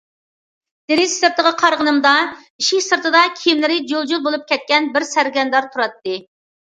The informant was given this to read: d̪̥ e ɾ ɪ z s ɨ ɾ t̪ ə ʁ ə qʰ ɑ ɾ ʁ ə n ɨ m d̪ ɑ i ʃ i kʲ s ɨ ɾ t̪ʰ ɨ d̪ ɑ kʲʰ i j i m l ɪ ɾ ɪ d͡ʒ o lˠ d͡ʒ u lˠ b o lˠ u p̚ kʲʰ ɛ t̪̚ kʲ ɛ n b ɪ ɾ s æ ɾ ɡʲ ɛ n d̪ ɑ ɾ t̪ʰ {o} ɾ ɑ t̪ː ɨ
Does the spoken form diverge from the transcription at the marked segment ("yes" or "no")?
yes